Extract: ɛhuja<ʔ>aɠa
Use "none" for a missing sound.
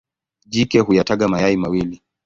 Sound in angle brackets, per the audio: t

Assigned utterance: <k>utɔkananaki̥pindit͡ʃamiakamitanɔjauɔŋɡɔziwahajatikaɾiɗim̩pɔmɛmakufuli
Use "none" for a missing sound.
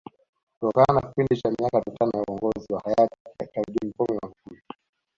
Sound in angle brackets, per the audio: k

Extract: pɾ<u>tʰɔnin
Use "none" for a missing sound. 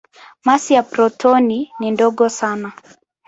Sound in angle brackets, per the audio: ɔ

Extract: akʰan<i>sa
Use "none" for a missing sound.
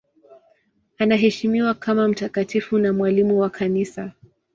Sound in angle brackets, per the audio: i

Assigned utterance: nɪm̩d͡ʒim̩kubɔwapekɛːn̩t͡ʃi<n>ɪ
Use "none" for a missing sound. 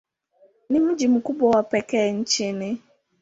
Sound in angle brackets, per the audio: n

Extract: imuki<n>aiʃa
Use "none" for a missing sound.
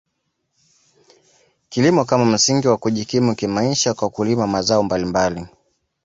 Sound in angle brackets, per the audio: m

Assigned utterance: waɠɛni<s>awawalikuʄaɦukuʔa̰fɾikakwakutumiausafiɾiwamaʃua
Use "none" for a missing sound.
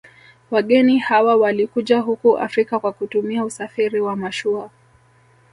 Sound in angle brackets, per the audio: h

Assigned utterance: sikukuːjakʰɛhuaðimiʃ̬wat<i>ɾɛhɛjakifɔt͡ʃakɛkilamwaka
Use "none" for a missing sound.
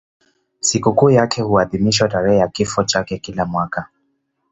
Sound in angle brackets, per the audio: a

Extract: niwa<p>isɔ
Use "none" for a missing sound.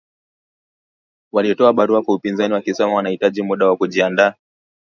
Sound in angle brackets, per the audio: k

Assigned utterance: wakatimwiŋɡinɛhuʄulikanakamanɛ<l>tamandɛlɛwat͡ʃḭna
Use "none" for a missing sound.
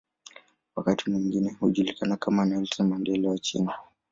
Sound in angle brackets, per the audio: l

